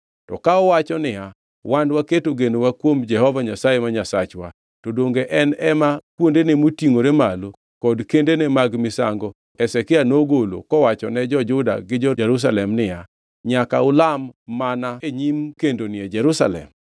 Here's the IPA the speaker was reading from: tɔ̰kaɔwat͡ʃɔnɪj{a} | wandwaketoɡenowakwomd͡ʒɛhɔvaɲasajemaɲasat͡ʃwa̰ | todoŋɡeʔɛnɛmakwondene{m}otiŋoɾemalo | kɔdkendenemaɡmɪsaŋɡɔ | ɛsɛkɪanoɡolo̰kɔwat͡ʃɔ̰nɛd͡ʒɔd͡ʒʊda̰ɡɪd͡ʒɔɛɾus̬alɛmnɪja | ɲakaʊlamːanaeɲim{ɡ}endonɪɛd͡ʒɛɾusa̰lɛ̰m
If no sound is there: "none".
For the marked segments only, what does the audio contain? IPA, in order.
a, m, k

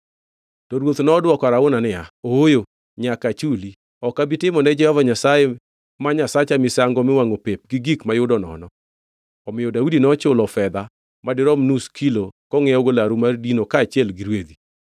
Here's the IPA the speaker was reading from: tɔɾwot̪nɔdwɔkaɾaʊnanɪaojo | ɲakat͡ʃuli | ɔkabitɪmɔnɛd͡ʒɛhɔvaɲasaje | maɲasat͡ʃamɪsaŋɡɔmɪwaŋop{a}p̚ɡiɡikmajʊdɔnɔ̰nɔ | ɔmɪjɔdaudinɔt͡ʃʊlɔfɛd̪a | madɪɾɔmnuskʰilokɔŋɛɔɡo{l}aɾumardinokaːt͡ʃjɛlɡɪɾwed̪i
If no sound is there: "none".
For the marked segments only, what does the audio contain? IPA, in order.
e, l

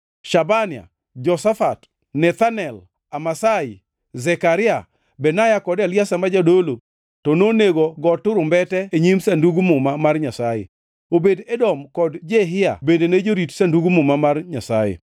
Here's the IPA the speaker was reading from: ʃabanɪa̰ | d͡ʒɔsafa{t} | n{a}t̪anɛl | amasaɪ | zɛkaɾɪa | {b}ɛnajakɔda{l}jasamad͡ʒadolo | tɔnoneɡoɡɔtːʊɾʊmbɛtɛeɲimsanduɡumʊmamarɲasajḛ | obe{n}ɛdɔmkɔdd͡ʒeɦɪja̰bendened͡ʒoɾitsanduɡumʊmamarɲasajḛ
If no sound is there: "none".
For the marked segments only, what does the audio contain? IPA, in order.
t, ɛ, b, l, d

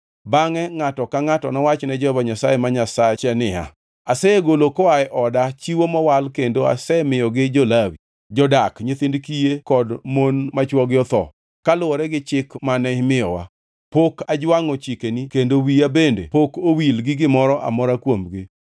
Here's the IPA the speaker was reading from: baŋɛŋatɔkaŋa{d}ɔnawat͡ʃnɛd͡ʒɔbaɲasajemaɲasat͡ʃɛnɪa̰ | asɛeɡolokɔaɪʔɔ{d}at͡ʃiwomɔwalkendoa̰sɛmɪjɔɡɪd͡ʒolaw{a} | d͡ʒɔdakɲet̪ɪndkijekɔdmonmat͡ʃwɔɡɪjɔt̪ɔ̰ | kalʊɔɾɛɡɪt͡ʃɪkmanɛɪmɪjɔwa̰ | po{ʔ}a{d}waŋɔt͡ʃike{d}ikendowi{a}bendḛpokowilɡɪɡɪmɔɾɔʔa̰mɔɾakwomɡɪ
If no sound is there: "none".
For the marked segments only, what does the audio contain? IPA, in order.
t, d, i, k, d͡ʒ, n, a

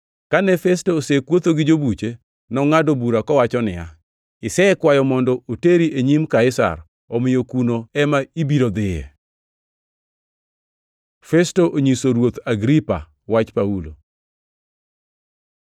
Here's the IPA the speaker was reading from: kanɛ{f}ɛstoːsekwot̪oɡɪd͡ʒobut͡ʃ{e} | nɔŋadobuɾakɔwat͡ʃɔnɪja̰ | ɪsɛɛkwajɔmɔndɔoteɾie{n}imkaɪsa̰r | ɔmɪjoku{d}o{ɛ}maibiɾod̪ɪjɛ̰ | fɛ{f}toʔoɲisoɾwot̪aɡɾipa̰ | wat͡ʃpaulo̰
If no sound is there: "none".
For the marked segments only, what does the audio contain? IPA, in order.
f, e, ɲ, n, ɛ, s

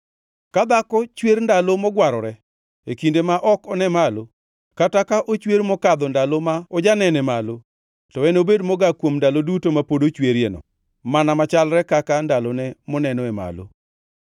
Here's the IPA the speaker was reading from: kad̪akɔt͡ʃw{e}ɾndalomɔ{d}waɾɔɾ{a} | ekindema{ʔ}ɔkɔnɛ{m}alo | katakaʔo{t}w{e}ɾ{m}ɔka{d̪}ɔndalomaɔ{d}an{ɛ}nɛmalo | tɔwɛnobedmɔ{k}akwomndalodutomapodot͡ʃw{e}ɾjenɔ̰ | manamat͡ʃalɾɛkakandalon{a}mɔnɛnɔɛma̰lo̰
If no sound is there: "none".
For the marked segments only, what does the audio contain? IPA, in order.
e, ɡ, ɛ, ʔ, m, t͡ʃ, e, m, d̪, d͡ʒ, ɛ, ɡ, e, ɛ

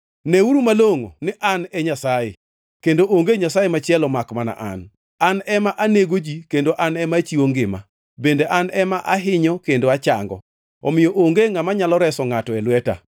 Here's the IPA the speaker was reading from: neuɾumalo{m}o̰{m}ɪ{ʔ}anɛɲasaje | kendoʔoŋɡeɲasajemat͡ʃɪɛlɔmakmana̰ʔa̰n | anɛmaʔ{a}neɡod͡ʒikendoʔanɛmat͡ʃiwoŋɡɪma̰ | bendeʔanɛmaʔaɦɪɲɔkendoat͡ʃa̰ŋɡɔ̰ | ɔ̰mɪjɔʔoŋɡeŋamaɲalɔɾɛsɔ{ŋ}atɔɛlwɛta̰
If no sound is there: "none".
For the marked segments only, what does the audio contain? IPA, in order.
ŋ, n, ʔ, a, ŋ

